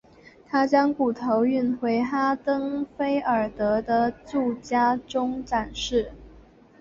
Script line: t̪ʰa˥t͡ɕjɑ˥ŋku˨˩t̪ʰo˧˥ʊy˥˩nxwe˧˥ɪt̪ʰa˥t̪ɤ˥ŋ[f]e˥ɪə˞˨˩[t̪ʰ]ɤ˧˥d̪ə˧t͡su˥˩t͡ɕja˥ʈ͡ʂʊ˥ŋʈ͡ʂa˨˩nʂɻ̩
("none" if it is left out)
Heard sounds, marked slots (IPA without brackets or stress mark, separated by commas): f, t̪